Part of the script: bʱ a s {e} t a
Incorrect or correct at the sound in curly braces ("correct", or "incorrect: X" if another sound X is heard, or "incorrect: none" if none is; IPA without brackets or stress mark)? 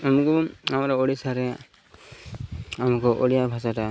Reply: incorrect: a